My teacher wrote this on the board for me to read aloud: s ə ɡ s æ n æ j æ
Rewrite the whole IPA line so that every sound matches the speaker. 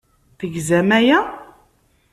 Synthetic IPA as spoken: θ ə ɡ z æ m æ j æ